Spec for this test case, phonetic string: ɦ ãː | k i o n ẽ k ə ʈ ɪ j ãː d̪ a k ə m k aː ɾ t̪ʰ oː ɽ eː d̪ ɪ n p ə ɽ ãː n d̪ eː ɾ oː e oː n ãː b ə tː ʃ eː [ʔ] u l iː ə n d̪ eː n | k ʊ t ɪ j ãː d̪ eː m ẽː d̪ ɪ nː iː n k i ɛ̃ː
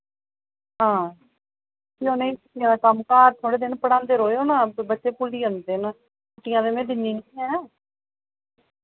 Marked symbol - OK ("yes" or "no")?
no